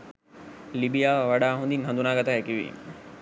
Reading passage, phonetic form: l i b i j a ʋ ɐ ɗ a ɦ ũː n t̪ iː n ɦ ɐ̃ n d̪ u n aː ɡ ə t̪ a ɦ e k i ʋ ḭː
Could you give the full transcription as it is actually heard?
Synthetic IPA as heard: l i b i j a ʋ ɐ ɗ a ɦ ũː n d̪ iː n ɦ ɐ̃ n d̪ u n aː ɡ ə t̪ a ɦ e k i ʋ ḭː